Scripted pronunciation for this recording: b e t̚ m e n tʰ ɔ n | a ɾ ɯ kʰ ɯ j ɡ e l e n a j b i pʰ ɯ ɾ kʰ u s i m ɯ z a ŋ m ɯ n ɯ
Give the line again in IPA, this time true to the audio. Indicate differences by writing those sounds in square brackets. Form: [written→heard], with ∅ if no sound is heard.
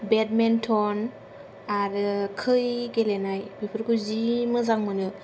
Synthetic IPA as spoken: b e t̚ m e n tʰ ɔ n | a ɾ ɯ kʰ ɯ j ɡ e l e n a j b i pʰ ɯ ɾ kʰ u [s→z] i m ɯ z a ŋ m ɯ n ɯ